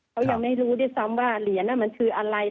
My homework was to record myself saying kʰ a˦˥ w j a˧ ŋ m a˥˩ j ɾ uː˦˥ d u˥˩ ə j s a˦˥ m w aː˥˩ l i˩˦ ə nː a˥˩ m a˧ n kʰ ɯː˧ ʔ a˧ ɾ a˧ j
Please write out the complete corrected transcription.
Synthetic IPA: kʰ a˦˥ w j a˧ ŋ m a˥˩ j ɾ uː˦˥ d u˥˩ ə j s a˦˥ m w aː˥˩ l i˩˦ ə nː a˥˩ m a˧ n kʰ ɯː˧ ʔ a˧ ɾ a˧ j